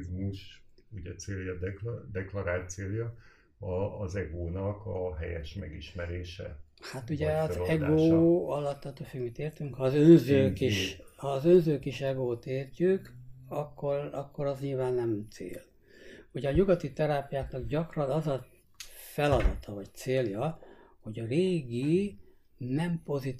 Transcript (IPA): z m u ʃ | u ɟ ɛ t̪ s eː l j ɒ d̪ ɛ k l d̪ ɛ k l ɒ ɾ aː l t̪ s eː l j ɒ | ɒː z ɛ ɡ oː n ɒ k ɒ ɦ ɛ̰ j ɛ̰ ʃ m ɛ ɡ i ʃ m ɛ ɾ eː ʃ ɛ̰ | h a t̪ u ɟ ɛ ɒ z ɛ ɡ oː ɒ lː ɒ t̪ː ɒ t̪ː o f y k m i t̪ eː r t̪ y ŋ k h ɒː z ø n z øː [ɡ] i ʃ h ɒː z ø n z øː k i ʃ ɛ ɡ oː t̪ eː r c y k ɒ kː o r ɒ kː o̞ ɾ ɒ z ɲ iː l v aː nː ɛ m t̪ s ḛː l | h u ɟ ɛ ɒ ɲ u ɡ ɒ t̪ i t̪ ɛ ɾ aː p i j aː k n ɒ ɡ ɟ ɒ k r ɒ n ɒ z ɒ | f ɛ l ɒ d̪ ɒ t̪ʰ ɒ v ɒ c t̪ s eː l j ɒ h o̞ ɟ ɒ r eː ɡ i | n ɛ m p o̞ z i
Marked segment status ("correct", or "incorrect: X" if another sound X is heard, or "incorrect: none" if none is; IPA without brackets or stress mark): incorrect: k